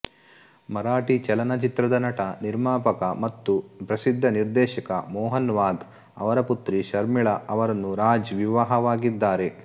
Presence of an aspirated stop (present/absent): absent